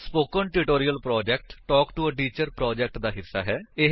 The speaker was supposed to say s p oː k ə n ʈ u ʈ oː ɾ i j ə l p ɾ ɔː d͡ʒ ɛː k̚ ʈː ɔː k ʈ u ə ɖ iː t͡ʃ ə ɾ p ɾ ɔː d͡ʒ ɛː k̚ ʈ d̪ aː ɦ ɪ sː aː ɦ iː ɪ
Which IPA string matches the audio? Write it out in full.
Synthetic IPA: s p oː k ə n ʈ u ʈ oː ɾ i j ə l p ɾ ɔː d͡ʒ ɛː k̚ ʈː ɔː k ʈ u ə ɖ iː t͡ʃ ə ɾ p ɾ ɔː d͡ʒ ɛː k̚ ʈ d̪ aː ɦ ɪ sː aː ɦ ɛː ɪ